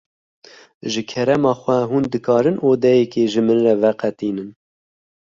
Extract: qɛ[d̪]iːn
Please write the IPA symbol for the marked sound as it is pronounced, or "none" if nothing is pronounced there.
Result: t̪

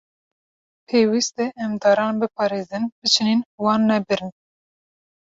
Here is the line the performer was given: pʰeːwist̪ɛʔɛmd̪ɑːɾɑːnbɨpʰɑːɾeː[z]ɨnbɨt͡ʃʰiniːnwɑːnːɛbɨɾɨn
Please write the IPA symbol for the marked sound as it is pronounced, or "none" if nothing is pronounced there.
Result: z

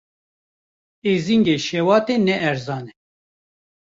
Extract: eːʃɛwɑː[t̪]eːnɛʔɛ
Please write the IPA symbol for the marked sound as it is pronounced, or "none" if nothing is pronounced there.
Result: t̪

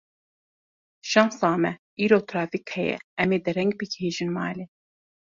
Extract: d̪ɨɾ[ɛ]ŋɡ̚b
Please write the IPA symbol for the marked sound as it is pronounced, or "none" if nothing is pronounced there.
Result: ɛ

